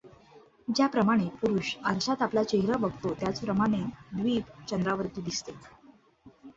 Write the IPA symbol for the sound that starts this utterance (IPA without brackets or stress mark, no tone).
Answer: d͡ʑ